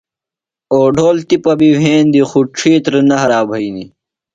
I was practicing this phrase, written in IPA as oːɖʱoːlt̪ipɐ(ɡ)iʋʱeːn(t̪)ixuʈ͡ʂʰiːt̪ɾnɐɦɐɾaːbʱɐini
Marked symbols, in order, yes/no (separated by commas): no, no